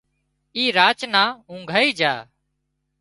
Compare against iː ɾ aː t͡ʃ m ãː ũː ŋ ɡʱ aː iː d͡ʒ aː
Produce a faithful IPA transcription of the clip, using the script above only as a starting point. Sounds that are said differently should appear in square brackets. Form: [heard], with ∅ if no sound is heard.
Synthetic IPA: iː ɾ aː t͡ʃ [n] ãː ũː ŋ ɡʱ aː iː d͡ʒ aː